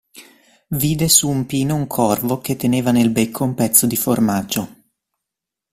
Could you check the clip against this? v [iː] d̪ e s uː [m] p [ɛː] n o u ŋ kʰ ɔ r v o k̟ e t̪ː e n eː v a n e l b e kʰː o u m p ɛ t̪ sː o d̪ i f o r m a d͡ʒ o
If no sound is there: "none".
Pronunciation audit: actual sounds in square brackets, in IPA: iː, m, iː

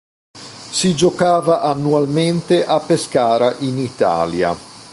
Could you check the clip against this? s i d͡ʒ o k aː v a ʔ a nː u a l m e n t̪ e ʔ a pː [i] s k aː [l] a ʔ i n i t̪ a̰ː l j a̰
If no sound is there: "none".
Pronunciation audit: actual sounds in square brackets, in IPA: e, ɾ

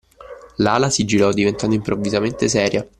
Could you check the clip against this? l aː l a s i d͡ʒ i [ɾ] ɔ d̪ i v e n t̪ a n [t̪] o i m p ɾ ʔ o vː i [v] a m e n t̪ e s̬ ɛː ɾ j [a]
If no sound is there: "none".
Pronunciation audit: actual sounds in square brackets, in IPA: ɾ, d̪, z, a

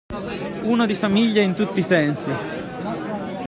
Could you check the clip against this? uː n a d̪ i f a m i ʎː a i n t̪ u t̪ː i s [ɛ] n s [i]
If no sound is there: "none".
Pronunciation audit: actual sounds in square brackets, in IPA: ɛ, i

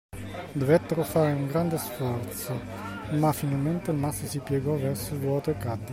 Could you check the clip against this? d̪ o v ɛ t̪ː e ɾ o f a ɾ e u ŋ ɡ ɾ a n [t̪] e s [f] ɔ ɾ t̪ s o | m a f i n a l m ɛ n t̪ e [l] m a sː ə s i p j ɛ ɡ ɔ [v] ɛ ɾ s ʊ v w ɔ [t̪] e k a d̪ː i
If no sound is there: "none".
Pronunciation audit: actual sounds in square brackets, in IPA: d̪, f, l, v, t̪

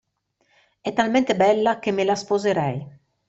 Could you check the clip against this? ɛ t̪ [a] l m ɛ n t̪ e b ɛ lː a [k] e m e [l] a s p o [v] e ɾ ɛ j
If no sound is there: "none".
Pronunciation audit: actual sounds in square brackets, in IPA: a, k, l, z

